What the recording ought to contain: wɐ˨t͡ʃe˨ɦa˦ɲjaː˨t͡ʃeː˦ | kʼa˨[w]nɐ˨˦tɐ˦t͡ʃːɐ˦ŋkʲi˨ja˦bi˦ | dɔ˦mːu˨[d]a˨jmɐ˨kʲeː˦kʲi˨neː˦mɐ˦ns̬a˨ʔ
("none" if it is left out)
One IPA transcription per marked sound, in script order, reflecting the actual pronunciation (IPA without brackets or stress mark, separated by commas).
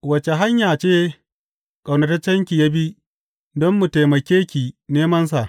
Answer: w, t